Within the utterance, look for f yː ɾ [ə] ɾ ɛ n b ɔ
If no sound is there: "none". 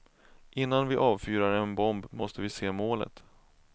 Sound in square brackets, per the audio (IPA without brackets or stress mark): a